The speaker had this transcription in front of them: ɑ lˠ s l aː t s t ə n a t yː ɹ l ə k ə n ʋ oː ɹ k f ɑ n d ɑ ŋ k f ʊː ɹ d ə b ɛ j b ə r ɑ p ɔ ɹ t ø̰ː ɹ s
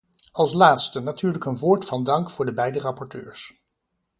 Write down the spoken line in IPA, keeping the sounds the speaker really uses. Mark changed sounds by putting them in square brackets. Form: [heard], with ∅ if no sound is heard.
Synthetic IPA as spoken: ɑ lˠ s l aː t s t ə n a t yː ɹ l ə k ə n ʋ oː ɹ [t] f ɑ n d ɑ ŋ k f ʊː ɹ d ə b ɛ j [d] ə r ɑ p ɔ ɹ t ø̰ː ɹ s